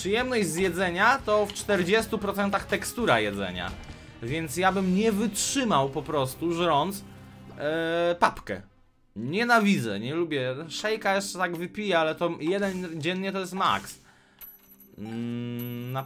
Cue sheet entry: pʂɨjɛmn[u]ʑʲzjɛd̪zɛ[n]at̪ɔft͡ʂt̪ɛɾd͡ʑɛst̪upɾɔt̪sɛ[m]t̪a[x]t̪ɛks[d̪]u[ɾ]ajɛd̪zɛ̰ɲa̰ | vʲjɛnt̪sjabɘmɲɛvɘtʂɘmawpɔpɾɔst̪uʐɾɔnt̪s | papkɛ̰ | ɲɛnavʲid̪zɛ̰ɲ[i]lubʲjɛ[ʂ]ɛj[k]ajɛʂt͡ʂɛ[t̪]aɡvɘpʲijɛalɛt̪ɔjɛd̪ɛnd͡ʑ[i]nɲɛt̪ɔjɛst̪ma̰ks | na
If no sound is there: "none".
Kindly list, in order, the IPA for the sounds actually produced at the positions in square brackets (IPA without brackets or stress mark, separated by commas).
ɔ, ɲ, n, x, t̪, ɾ, ɛ, ʂ, k, t̪, ɛ